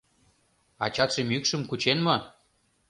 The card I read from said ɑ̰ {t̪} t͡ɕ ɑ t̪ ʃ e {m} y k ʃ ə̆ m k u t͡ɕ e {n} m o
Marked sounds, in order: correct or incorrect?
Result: incorrect: none, correct, correct

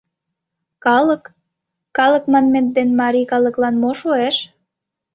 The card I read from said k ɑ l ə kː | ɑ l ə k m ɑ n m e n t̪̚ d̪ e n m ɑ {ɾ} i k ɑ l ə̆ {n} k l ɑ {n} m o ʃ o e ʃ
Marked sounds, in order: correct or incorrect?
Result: correct, incorrect: none, correct

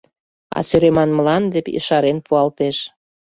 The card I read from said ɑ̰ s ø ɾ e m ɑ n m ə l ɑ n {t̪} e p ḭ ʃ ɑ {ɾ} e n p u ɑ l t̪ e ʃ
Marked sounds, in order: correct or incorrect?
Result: incorrect: d̪, correct

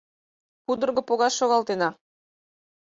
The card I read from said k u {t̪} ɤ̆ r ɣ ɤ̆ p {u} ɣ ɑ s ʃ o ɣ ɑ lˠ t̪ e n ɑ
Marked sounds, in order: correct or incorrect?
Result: incorrect: d̪, incorrect: o

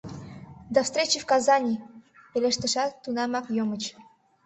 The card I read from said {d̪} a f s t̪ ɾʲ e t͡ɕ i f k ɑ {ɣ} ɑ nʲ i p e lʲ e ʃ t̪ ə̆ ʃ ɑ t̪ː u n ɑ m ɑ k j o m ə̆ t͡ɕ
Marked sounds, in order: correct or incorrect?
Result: correct, incorrect: z

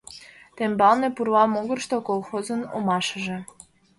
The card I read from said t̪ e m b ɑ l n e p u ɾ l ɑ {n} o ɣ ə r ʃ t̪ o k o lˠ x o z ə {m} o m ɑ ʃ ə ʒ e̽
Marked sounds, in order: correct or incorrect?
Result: incorrect: m, incorrect: n

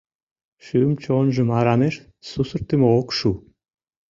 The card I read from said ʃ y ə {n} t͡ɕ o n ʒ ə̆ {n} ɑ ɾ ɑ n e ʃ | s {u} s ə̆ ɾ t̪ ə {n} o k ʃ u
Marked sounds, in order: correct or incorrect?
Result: incorrect: m, incorrect: m, correct, incorrect: m

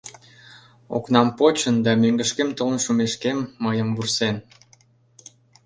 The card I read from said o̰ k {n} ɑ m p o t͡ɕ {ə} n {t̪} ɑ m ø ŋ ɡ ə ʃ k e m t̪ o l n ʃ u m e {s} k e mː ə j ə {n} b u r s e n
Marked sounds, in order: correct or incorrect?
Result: correct, correct, incorrect: d̪, incorrect: ʃ, incorrect: m

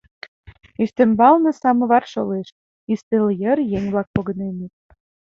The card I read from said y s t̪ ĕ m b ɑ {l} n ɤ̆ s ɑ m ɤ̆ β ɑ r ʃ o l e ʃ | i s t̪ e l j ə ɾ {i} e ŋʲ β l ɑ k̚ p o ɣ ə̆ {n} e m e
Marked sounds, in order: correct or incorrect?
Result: correct, incorrect: j, correct

